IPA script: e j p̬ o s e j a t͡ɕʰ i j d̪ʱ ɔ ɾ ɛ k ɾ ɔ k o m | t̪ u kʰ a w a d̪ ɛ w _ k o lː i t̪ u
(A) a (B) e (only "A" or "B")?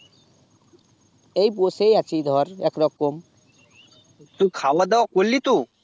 A